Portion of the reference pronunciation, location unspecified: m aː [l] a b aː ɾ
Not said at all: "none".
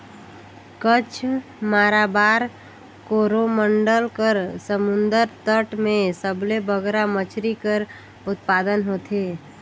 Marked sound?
ɾ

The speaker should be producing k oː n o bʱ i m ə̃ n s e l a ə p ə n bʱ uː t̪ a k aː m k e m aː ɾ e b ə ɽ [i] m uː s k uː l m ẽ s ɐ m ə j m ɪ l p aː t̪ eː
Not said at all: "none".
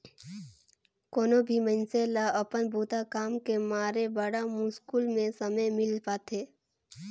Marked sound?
a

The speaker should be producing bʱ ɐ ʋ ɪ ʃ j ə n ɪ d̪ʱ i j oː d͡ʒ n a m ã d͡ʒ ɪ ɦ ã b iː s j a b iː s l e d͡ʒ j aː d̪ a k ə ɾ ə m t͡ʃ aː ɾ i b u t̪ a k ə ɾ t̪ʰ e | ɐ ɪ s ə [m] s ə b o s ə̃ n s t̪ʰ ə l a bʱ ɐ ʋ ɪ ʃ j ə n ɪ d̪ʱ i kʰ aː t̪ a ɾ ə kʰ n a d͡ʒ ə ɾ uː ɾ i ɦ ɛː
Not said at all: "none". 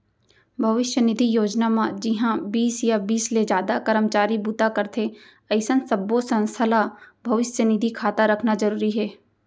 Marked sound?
n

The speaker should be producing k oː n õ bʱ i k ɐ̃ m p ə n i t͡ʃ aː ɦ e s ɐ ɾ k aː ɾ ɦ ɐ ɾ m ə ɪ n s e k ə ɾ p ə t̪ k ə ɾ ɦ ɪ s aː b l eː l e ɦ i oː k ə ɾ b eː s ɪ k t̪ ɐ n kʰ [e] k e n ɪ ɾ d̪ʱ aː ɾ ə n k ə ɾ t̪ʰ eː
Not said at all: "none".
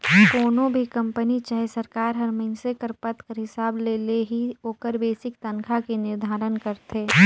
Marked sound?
a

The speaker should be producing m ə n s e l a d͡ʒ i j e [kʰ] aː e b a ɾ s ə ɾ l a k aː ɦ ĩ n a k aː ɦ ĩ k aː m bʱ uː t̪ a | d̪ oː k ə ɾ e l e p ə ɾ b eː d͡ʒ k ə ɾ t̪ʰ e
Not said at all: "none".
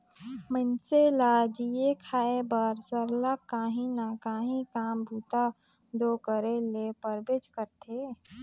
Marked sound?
kʰ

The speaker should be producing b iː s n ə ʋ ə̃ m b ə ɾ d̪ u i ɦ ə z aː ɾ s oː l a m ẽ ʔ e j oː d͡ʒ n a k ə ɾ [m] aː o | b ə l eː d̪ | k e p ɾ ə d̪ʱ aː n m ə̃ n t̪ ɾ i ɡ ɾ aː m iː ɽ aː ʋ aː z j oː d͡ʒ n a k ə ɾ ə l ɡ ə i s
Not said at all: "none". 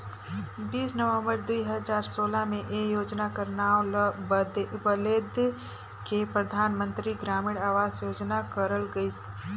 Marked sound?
n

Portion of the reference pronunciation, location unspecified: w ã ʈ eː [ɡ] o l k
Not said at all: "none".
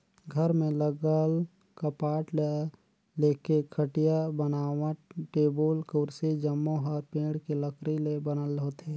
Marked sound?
b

